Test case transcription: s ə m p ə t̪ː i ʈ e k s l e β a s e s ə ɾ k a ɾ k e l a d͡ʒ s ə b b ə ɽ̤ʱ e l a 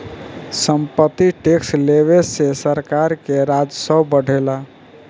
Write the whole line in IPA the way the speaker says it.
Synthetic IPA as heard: s ə m p ə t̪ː i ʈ e k s l e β e s e s ə ɾ k a ɾ k e ɾ a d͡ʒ s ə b b ə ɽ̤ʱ e l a